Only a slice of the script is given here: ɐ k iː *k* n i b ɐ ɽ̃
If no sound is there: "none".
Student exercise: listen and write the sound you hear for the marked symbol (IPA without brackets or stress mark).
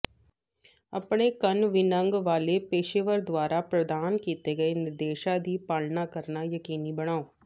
none